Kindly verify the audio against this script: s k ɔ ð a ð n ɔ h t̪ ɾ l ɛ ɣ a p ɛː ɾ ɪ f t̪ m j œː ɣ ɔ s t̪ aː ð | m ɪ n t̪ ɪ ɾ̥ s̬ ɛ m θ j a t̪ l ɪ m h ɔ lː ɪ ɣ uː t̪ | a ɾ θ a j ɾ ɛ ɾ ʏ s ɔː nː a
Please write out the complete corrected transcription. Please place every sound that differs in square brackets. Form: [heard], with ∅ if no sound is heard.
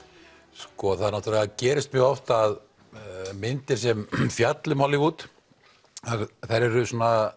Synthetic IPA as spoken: s k ɔ [θ] a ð n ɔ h t̪ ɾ l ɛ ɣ a [c] ɛː ɾ ɪ [s] t̪ m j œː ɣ ɔ [f] t̪ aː ð | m ɪ n t̪ ɪ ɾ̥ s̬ ɛ m [f] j a t̪ l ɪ m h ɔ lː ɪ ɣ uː t̪ | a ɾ θ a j ɾ ɛ ɾ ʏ s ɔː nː a

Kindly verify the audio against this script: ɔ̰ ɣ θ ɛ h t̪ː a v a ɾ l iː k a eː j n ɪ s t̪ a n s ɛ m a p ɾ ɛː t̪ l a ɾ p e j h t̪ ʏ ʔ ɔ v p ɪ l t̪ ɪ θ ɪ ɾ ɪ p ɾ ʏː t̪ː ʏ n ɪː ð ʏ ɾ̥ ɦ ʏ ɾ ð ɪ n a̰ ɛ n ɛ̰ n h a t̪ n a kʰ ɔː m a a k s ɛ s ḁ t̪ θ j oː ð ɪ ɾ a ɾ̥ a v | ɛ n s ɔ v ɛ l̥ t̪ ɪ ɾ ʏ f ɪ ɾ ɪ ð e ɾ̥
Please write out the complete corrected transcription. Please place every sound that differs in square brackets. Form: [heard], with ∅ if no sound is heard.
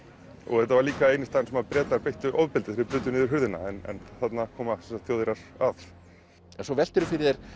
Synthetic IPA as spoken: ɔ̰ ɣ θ ɛ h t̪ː a v a ɾ l iː k a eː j n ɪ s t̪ a n s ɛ m a p ɾ ɛː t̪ l a ɾ p e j h t̪ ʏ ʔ ɔ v p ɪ l t̪ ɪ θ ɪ ɾ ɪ p ɾ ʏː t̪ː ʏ n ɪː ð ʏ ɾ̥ ɦ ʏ ɾ ð ɪ n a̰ ɛ n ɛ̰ n [θ] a t̪ n a kʰ ɔː m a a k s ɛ s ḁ t̪ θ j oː ð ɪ ɾ a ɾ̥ a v | ɛ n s ɔ v ɛ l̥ t̪ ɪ ɾ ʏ f ɪ ɾ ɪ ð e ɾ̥

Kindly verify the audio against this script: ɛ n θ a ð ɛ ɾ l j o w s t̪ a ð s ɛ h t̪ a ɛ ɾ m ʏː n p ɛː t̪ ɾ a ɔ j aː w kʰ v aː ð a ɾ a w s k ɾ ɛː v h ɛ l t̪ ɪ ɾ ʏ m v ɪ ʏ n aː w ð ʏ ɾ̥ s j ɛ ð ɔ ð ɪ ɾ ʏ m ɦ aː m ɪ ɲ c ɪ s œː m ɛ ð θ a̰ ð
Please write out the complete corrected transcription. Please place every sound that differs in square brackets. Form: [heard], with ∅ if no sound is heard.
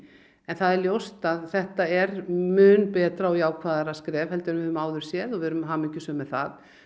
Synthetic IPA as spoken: ɛ n θ a ð ɛ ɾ l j o w s t̪ a ð [θ] ɛ h t̪ a ɛ ɾ m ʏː n p ɛː t̪ ɾ a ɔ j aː w kʰ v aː ð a ɾ a [∅] s k ɾ ɛː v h ɛ l t̪ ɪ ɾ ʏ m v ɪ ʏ [m] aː w ð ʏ ɾ̥ s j ɛ ð ɔ [v] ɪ ɾ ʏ m ɦ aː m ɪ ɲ c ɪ s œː m ɛ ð θ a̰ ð

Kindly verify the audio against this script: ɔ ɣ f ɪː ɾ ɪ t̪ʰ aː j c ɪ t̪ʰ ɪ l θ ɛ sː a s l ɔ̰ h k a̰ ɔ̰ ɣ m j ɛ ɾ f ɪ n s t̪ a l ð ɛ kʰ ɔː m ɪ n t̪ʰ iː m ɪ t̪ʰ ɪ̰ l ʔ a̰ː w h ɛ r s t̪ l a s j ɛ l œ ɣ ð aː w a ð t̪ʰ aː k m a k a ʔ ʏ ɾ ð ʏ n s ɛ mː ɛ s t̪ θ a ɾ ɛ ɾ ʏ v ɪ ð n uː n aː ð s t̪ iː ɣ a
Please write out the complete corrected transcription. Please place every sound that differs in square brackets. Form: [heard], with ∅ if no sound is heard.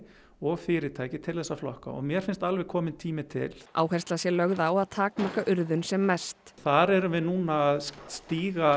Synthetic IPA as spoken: ɔ ɣ f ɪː ɾ ɪ t̪ʰ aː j c ɪ t̪ʰ ɪ l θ ɛ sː a [f] l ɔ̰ h k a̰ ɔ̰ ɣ m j ɛ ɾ f ɪ n s t̪ a l [v] ɛ kʰ ɔː m ɪ n t̪ʰ iː m ɪ t̪ʰ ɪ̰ l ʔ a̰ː w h ɛ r s t̪ l a s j ɛ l œ ɣ ð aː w a ð t̪ʰ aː k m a k a ʔ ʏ ɾ ð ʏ n s ɛ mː ɛ s t̪ θ a ɾ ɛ ɾ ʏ v ɪ ð n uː n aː ð s t̪ iː ɣ a

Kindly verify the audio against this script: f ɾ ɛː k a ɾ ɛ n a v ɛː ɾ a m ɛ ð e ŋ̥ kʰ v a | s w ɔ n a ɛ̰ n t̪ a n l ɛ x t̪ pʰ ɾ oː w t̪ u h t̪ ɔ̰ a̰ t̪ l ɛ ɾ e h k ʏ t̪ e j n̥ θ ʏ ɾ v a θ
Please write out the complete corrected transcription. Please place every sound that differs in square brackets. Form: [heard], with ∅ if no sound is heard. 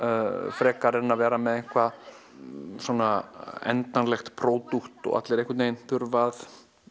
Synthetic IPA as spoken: f ɾ ɛː k a ɾ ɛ n a v ɛː ɾ a m ɛ ð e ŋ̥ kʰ v a | s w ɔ n a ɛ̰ n t̪ a n l ɛ x t̪ pʰ ɾ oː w t̪ u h t̪ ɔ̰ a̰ t̪ l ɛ ɾ e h k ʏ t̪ e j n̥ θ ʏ ɾ v a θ

